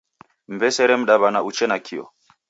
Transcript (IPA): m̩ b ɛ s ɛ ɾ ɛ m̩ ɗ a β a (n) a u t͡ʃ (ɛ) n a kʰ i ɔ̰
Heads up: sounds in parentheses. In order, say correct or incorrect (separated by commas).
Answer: correct, correct